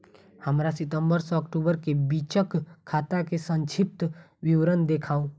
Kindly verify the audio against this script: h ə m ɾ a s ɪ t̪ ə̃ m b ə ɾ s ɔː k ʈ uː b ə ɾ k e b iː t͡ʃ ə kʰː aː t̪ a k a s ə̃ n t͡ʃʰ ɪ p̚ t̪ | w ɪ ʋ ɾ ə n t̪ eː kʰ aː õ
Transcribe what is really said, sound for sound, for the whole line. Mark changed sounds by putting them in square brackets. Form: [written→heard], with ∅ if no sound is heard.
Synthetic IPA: h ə m ɾ a s ɪ t̪ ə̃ m b ə ɾ s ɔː k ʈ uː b ə ɾ k e b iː t͡ʃ ə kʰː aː t̪ a k [a→e] s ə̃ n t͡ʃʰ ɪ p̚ t̪ | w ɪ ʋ ɾ ə n [t̪→d̪] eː kʰ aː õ

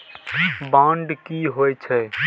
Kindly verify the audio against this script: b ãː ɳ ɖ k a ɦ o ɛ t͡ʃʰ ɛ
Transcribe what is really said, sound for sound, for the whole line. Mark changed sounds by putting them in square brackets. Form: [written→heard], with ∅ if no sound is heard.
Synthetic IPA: b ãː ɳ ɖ k [a→i] ɦ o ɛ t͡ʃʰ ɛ

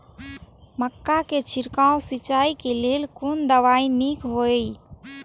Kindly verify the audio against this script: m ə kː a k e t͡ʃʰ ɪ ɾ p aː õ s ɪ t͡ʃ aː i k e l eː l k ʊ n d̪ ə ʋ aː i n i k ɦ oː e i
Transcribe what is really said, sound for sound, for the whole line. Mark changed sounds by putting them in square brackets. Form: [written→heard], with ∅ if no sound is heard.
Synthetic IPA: m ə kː a k e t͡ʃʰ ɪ ɾ [p→k] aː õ s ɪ t͡ʃ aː i k e l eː l k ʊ n d̪ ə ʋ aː i n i k ɦ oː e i

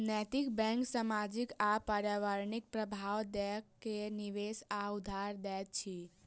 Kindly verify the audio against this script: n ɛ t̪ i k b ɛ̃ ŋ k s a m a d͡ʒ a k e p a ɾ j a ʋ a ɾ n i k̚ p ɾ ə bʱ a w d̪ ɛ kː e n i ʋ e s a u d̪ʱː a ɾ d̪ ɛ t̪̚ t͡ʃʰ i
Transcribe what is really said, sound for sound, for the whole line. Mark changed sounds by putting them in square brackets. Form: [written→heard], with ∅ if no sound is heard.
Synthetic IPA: n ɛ t̪ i k b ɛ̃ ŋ k s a m a d͡ʒ [a→i] k [e→a] p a ɾ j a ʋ a ɾ n i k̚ p ɾ ə bʱ a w d̪ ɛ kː e n i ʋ e s a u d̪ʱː a ɾ d̪ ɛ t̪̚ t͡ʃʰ i

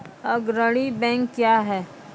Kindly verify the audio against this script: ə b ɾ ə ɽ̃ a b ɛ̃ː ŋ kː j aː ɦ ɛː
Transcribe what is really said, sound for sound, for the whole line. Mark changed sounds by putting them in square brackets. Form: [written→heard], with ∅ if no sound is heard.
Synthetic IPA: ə [b→ɡ] ɾ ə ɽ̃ [a→i] b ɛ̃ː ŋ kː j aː ɦ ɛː

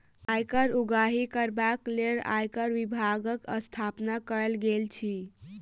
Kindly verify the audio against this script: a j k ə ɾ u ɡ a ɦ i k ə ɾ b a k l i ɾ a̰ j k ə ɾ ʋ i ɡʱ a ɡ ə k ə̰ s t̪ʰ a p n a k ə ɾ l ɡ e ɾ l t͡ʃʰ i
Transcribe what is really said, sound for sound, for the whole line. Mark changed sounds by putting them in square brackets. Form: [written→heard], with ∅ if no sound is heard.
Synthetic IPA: a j k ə ɾ u ɡ a ɦ i k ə ɾ b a k l [i→e] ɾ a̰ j k ə ɾ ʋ i [ɡʱ→bʱ] a ɡ ə k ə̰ s t̪ʰ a p n a k ə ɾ l ɡ e [ɾ→∅] l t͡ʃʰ i

